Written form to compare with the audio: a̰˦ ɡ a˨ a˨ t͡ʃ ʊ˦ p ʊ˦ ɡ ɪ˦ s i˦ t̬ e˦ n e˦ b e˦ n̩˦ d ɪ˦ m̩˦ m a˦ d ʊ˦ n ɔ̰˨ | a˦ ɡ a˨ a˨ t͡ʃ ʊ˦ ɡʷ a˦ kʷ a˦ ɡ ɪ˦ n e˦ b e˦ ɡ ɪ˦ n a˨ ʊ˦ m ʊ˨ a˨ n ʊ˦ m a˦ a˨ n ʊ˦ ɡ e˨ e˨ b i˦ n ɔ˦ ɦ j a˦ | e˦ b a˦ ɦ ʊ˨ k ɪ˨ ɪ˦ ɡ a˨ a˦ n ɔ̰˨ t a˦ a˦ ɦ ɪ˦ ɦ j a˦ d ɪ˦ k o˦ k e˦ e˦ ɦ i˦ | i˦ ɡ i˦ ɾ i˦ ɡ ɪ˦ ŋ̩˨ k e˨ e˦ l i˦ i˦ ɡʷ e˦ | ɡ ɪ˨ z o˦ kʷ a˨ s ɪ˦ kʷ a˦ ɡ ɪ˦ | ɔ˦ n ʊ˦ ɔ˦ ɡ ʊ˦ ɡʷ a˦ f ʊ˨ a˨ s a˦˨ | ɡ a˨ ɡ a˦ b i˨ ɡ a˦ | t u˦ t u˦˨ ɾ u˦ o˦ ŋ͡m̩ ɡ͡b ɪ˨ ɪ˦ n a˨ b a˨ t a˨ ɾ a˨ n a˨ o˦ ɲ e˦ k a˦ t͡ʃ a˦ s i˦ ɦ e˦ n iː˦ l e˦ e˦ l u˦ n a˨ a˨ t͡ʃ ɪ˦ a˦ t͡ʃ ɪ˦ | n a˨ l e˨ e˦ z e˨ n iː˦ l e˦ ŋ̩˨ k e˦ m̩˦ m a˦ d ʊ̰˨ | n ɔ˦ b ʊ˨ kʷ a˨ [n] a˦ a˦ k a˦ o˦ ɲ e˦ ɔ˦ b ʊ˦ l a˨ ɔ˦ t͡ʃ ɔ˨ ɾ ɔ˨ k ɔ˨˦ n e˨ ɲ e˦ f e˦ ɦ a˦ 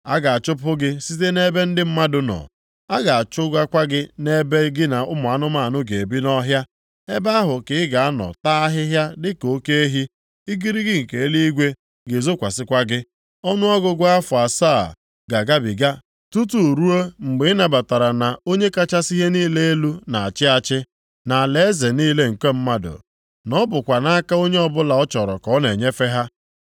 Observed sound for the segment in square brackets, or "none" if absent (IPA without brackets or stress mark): n